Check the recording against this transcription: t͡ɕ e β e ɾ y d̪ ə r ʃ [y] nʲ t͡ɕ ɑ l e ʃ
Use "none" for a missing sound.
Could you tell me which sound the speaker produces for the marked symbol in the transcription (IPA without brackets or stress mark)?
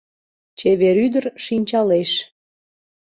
i